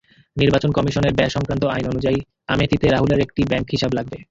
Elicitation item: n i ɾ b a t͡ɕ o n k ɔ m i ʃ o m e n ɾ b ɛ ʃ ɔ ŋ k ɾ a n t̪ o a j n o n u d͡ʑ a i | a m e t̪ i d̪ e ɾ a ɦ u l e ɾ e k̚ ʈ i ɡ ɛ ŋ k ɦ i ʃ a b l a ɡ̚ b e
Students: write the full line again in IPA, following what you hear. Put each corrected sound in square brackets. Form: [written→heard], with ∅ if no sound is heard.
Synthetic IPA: n i ɾ b a t͡ɕ o n k ɔ m i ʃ o [m→n] e [n→∅] ɾ b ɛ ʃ ɔ ŋ k ɾ a n t̪ o a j n o n u d͡ʑ a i | a m e t̪ i [d̪→t̪] e ɾ a ɦ u l e ɾ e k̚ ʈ i [ɡ→b] ɛ ŋ k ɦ i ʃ a b l a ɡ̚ b e